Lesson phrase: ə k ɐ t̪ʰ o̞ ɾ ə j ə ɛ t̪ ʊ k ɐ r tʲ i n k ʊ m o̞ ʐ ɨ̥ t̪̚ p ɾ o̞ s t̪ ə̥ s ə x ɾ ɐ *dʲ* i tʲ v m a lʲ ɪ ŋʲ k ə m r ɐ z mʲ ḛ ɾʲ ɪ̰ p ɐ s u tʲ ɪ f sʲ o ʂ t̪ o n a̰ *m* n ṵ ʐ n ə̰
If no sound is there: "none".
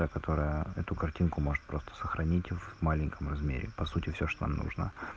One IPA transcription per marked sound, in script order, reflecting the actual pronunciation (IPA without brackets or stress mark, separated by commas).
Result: nʲ, m